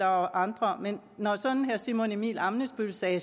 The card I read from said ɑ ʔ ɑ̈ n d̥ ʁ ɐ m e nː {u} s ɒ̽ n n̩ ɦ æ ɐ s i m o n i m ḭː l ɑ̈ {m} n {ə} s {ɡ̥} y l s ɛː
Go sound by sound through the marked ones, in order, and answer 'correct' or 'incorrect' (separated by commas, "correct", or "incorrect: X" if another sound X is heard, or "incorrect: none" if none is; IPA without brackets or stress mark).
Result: incorrect: ɒ, correct, correct, incorrect: b̥